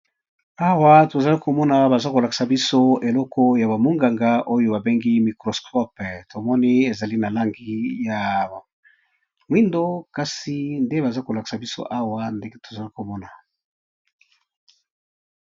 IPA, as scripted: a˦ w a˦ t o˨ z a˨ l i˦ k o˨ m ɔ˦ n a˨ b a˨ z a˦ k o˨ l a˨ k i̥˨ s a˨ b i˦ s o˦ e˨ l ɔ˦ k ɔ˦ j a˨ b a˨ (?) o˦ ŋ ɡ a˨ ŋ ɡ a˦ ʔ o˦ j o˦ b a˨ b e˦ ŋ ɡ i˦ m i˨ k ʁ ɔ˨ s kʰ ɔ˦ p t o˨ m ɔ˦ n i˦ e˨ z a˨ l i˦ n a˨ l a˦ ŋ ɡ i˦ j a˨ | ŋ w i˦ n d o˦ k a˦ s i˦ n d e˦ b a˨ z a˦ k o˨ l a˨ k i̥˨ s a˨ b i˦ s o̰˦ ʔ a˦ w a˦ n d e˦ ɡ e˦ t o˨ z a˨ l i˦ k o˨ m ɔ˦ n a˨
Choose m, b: m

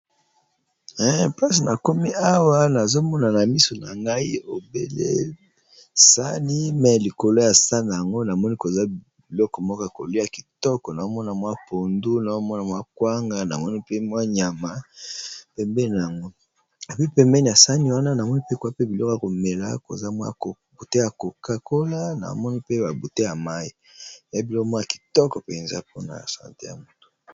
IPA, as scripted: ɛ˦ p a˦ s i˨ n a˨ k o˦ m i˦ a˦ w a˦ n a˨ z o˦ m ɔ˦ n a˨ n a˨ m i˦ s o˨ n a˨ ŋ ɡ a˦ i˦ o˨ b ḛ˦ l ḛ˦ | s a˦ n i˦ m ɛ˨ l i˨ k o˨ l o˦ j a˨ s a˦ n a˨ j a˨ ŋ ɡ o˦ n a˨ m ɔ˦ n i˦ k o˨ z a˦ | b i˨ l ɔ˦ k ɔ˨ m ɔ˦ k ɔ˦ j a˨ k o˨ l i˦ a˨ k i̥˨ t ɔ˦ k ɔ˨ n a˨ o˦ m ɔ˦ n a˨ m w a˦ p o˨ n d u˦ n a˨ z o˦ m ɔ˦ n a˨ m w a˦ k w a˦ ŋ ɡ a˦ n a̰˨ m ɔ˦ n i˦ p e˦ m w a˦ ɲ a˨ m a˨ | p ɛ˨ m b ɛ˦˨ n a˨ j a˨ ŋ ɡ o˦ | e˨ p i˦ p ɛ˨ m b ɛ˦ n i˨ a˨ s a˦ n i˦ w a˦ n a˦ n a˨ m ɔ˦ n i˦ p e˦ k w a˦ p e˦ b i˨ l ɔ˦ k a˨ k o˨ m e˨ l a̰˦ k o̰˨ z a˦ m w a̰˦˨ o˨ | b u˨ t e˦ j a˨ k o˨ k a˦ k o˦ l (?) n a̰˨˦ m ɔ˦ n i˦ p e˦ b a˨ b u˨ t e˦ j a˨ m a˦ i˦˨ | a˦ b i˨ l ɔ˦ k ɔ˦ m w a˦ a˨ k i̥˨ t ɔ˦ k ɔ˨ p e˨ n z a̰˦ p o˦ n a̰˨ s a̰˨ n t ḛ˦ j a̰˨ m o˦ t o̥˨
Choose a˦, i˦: a˦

